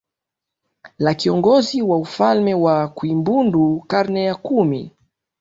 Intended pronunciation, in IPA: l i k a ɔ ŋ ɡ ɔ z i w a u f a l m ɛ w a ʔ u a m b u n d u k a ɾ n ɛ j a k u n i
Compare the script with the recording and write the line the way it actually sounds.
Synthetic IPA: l a k i ɔ ŋ ɡ ɔ z i w a u f a l m ɛ w a k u i m b u n d u k a ɾ n ɛ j a k u m i